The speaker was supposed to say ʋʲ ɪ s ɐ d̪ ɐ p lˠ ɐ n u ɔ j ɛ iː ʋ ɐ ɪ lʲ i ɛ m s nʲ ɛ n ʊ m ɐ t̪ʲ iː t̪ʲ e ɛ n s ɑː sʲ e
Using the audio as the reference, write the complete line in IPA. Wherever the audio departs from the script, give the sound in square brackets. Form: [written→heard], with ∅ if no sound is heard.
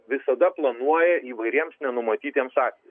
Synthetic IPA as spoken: ʋʲ ɪ s ɐ d̪ ɐ p lˠ ɐ n u ɔ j ɛ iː ʋ ɐ ɪ [lʲ→ɾʲ] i ɛ m s nʲ ɛ n ʊ m ɐ t̪ʲ iː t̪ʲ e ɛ [n→m] s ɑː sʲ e